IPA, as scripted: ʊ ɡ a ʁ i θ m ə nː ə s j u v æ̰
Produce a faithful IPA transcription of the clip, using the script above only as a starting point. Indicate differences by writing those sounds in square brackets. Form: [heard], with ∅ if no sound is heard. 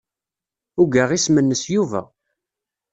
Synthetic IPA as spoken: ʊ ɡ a ʁ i [s] m ə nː ə s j u v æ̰